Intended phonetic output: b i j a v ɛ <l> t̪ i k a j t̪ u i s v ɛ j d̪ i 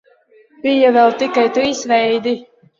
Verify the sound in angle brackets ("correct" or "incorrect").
correct